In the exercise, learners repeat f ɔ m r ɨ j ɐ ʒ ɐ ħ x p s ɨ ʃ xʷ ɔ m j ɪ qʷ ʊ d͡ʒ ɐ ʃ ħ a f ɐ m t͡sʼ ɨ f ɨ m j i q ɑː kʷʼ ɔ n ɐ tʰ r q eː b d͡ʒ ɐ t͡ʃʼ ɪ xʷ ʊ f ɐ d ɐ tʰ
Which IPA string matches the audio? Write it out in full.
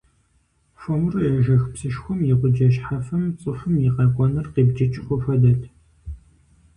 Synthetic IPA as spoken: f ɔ m r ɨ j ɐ ʒ ɐ x p s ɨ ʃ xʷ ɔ m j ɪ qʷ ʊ d͡ʒ ɐ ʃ ħ a f ɐ m t͡sʼ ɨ f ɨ m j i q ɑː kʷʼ ɔ n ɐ r q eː b d͡ʒ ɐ t͡ʃʼ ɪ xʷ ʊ f ɐ d ɐ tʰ